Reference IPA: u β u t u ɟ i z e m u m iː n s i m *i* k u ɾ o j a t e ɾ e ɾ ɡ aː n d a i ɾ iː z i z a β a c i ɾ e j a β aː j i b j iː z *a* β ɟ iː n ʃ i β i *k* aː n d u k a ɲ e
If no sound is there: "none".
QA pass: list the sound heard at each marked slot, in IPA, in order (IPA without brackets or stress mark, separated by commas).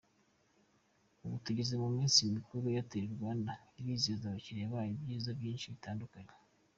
i, a, t